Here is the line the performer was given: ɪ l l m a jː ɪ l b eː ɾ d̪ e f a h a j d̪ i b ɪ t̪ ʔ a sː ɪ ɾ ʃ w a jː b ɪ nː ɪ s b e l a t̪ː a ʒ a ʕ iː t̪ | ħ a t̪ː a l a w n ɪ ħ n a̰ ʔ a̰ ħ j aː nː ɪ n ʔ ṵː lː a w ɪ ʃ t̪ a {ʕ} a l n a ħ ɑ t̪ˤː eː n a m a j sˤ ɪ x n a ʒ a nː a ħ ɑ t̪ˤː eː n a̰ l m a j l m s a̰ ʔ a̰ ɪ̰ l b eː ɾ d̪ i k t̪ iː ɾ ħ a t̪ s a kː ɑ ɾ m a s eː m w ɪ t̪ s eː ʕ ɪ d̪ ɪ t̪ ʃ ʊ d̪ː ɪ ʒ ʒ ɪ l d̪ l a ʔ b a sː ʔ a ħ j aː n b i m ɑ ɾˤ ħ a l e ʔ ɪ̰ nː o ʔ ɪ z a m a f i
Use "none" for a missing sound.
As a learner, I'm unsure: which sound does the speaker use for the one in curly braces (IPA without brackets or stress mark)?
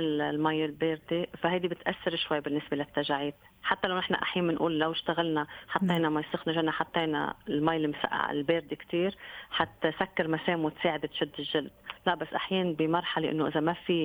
ɣ